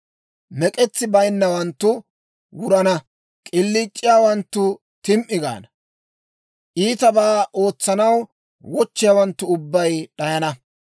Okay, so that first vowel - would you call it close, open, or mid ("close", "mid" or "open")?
mid